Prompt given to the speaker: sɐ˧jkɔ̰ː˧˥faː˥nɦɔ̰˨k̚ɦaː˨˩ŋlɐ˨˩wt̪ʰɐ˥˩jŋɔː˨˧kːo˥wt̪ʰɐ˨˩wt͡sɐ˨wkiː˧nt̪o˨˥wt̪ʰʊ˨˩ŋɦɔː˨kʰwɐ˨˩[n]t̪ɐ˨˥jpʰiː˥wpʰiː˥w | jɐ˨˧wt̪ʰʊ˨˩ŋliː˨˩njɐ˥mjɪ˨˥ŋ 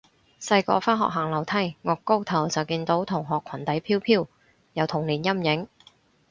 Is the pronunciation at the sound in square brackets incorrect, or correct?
correct